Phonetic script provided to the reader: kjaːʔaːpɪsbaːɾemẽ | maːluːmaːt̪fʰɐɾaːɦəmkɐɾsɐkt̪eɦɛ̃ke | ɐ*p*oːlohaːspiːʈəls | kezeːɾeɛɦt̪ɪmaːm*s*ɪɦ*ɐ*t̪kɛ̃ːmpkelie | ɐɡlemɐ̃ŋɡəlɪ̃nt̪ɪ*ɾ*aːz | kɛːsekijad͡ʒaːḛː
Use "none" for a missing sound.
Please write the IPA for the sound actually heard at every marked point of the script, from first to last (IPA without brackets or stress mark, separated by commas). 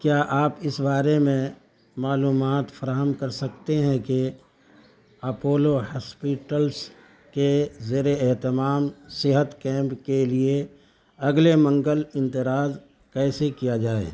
p, s, ə, ɾ